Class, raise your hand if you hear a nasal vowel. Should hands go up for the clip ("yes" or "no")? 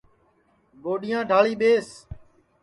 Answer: yes